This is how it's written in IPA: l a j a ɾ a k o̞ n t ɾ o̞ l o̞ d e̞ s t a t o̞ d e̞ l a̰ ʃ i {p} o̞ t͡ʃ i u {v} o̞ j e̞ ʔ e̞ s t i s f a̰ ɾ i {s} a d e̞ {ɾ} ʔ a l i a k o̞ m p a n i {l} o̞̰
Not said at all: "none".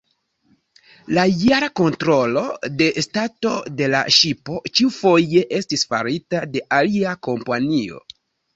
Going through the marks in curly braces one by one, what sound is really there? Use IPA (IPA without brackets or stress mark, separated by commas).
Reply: p, f, t, none, none